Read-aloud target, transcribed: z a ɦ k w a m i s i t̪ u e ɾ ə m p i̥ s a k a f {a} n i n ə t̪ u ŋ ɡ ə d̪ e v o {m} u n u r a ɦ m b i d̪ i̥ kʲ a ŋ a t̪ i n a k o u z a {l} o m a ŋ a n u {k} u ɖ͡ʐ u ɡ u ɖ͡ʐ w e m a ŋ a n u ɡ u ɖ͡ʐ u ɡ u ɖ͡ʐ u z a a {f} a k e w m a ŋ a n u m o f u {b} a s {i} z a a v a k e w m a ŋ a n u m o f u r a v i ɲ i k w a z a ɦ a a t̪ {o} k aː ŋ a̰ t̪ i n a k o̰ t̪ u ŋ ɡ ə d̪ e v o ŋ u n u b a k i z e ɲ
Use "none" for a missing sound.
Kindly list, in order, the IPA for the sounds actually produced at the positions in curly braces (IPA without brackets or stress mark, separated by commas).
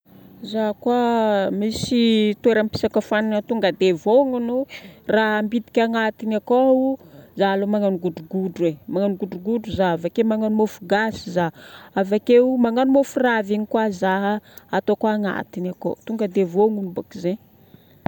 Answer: a, ŋ, l, ɡ, v, ɡ, i, o